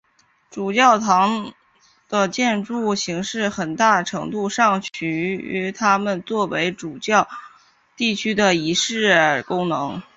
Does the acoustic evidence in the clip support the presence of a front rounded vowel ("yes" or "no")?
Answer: yes